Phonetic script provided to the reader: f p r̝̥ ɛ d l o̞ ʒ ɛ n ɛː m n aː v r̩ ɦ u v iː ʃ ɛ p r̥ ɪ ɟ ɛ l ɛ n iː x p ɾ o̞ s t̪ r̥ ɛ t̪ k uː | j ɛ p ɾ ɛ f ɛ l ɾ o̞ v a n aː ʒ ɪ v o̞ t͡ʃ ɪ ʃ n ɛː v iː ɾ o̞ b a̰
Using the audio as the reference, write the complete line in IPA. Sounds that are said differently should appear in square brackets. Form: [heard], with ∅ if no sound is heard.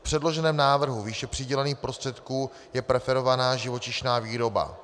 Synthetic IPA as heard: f p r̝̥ ɛ d l o̞ ʒ ɛ n ɛː m n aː v r̩ ɦ u v iː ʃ ɛ p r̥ ɪ ɟ ɛ l ɛ n iː x p ɾ o̞ s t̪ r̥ ɛ t̪ k uː | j ɛ p ɾ ɛ f ɛ [∅] ɾ o̞ v a n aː ʒ ɪ v o̞ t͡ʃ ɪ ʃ n [aː] v iː ɾ o̞ b a̰